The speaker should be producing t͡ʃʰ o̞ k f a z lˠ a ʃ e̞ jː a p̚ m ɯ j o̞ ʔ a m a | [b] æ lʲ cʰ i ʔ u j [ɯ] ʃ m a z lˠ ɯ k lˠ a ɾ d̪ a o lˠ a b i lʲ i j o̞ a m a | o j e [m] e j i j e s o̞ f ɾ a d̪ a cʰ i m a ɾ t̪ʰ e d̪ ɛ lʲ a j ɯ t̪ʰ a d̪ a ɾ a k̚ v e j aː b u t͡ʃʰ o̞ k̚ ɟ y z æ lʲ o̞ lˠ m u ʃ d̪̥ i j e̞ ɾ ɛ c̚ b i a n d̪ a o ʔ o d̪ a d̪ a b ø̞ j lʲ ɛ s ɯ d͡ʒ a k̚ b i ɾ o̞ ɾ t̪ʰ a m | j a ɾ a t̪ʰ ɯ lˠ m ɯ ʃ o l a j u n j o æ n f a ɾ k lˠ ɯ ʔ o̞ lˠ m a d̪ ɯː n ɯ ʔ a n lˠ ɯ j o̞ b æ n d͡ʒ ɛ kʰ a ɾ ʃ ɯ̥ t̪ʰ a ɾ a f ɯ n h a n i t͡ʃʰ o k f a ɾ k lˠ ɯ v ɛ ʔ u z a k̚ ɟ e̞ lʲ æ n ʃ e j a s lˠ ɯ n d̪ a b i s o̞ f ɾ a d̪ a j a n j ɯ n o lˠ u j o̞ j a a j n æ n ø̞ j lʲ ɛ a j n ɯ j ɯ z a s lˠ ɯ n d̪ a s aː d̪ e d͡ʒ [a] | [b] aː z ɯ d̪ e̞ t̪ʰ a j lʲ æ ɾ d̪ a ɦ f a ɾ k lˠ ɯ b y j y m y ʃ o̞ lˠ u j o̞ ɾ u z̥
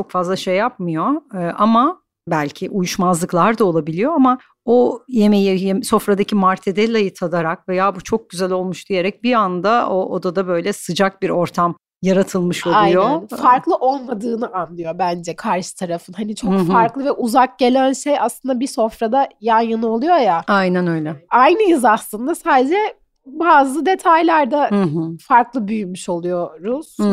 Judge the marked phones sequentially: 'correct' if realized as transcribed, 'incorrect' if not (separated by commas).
correct, incorrect, correct, incorrect, correct